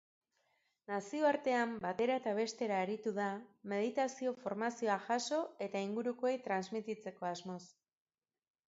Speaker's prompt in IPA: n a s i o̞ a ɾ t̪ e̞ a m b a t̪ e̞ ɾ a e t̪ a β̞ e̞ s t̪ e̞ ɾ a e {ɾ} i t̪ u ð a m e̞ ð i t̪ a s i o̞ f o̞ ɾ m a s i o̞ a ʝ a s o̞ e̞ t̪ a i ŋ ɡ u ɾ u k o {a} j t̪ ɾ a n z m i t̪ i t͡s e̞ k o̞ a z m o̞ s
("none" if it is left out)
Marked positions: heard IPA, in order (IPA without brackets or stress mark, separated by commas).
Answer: ɾ, e